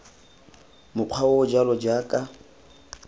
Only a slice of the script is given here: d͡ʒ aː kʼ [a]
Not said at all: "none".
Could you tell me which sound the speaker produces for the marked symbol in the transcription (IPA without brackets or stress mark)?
a